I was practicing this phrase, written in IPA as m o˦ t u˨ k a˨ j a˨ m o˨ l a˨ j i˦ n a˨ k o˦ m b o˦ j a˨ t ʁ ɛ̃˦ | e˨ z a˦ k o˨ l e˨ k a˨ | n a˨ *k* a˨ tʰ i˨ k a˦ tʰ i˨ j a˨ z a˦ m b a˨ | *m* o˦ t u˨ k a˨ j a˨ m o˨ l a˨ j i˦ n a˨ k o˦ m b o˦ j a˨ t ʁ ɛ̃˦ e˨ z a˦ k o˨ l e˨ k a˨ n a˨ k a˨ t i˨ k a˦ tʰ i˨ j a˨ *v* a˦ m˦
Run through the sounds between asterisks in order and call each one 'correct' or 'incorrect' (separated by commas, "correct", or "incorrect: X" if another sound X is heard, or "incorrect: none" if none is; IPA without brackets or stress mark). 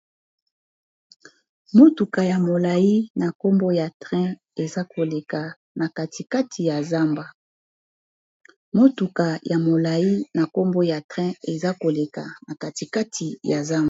correct, correct, incorrect: z